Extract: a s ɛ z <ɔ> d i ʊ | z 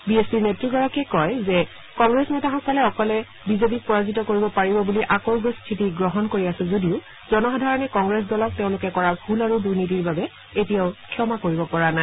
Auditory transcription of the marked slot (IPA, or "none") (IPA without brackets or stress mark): o